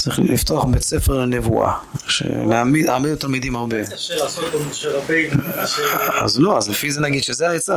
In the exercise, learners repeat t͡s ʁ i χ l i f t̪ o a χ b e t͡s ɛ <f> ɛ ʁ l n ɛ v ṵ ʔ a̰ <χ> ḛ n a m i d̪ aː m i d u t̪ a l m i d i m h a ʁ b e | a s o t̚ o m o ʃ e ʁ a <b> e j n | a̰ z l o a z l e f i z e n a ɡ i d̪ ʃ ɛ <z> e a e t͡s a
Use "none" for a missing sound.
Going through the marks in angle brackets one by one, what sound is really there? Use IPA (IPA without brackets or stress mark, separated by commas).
f, ʃ, b, z